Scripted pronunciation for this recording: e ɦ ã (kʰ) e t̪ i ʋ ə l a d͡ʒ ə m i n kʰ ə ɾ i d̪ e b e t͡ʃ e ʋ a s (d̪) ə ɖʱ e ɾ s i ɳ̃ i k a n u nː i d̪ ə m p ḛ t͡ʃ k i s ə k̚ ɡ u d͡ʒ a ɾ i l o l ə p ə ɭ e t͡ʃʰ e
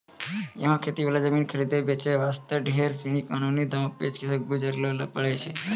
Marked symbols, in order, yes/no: yes, no

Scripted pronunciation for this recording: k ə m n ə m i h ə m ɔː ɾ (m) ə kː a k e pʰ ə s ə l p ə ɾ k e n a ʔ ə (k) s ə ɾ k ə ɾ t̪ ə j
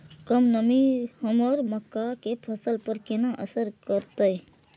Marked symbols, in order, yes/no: yes, no

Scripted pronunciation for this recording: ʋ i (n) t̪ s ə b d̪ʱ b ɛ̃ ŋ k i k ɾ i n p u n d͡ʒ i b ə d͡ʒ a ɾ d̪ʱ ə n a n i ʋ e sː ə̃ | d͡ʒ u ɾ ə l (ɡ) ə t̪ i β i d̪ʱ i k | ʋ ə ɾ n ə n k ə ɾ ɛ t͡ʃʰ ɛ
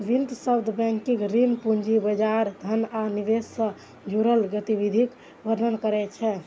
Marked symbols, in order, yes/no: yes, yes

